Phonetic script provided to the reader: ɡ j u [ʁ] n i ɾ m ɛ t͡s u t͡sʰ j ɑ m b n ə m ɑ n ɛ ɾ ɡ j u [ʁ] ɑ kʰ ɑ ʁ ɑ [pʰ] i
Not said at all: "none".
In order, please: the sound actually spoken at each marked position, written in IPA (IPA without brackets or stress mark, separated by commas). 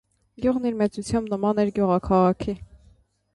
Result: ʁ, ʁ, kʰ